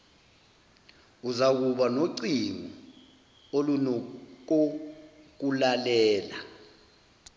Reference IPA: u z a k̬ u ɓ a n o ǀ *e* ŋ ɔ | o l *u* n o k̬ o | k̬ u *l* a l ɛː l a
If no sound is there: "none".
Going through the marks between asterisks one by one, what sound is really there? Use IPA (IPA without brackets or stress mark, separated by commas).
i, u, l